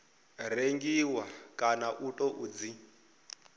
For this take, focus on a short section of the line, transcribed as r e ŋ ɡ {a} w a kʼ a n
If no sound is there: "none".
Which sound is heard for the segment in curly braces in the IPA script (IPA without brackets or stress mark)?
i